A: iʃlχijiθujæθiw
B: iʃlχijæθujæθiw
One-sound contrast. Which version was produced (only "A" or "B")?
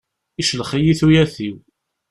A